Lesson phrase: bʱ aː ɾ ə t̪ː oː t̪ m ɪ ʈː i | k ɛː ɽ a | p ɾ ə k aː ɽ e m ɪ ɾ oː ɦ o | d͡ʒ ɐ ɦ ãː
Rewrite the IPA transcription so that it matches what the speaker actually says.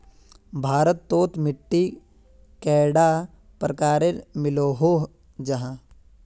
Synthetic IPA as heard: bʱ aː ɾ ə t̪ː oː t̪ m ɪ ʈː i | k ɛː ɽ a | p ɾ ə k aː ɾ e m ɪ l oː ɦ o | d͡ʒ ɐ ɦ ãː